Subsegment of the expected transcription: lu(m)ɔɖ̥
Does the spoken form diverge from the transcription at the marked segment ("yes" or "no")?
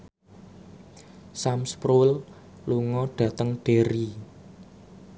yes